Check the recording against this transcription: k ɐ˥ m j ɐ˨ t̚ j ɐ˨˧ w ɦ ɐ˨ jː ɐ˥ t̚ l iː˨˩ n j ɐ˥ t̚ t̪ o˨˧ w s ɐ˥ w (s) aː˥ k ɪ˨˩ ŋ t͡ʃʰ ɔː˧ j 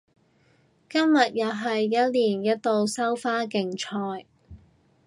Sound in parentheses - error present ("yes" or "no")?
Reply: yes